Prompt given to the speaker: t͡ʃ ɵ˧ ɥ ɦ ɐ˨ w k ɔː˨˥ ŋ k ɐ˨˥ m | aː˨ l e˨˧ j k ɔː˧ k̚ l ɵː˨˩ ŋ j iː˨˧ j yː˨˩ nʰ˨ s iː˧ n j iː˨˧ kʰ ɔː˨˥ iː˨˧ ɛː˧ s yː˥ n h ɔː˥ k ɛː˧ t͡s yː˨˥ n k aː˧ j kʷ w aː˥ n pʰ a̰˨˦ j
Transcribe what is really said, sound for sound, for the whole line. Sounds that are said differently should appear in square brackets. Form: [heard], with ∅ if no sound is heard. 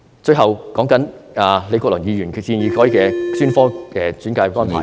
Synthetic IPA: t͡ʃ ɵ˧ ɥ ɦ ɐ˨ w k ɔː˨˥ ŋ k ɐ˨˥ [n] | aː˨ l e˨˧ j k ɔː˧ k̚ l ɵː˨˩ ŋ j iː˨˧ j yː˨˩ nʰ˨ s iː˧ n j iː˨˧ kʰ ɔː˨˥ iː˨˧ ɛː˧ s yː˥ n [f] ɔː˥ k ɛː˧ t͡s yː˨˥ n k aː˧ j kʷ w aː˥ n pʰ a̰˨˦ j